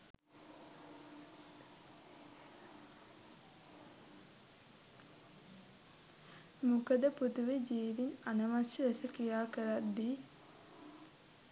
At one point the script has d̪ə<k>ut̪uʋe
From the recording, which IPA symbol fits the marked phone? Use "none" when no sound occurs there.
p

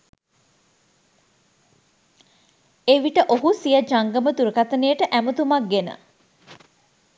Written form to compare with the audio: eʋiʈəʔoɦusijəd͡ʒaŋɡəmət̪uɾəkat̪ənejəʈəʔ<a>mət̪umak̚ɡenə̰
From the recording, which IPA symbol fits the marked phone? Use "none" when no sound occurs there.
æ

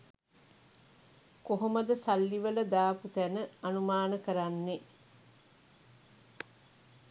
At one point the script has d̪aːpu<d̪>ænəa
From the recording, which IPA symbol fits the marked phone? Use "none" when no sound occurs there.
t̪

